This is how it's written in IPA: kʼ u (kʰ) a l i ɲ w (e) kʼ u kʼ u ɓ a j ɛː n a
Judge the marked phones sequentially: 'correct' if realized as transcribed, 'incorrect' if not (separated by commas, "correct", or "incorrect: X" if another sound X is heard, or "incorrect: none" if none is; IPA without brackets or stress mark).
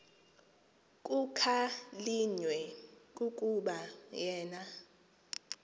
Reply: correct, incorrect: ɛ